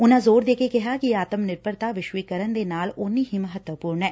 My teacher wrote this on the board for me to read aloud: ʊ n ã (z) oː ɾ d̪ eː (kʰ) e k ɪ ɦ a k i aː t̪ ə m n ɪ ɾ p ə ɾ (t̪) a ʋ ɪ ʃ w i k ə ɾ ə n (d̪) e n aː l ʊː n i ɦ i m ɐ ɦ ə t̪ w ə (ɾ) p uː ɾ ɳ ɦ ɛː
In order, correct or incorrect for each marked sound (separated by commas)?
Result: correct, incorrect, correct, correct, incorrect